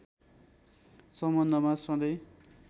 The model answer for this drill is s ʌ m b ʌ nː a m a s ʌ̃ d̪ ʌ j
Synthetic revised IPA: s ʌ m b ʌ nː ʌ m a s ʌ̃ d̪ ʌ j

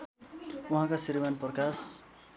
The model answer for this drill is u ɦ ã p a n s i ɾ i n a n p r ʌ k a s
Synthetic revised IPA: u ɦ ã k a s i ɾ i m a n p r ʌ k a s

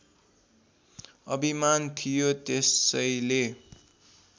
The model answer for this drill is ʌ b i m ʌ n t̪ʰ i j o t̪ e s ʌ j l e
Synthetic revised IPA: ʌ b i m a n t̪ʰ i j o t̪ e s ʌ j l e

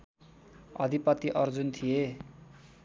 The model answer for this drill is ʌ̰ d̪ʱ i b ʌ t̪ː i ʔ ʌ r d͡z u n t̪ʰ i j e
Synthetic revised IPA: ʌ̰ d̪ʱ i p ʌ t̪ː i ʔ ʌ r d͡z u n t̪ʰ i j e

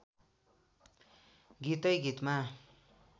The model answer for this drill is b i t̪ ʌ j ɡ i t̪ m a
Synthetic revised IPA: ɡ i t̪ ʌ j ɡ i t̪ m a

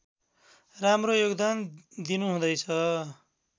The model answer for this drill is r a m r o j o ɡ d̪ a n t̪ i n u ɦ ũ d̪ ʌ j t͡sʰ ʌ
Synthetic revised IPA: r a m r o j o ɡ d̪ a n d̪ i n u ɦ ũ d̪ ʌ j t͡sʰ ʌ

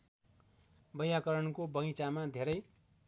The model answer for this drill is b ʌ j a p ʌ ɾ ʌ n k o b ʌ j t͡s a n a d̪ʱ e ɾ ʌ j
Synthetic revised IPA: b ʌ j a k ʌ ɾ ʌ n k o b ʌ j t͡s a m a d̪ʱ e ɾ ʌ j

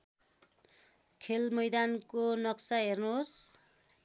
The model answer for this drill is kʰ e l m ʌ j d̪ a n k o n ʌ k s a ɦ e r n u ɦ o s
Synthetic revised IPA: kʰ e l m ʌ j d̪ a n k o n ʌ k s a ɦ e r n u ɦ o s

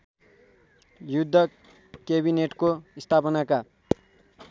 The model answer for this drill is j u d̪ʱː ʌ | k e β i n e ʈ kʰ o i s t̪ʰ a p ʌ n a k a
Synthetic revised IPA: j u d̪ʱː ʌ | k e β i n e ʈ k o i s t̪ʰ a p ʌ n a k a

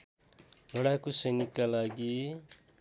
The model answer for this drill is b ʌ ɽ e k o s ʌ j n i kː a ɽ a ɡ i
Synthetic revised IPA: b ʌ ɽ a k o s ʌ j n i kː a l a ɡ i

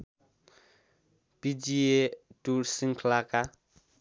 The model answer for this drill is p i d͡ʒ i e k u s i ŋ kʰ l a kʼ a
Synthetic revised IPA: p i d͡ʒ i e t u s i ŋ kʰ l a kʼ a

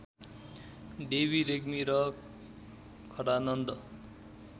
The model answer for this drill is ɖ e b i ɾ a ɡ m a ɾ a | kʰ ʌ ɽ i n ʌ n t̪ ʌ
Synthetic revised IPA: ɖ e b i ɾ e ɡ m i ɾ ʌ | kʰ ʌ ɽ a n ʌ n d̪ ʌ

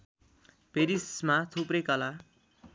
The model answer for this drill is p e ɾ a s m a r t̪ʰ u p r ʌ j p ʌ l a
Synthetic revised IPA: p e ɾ i s m a t̪ʰ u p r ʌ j k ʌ l a

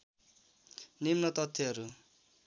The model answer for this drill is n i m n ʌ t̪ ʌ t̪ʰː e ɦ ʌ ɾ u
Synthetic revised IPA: n i m n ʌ t̪ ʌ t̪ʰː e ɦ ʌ ɾ u

